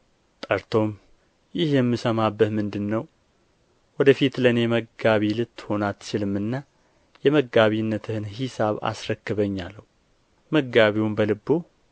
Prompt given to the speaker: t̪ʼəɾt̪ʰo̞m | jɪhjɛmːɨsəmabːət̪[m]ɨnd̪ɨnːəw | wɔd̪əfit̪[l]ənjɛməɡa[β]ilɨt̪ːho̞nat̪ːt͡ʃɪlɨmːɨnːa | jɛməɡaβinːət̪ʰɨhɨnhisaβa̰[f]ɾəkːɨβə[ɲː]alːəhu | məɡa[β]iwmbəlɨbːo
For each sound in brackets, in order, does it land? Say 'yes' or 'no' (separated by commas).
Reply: yes, yes, yes, no, yes, yes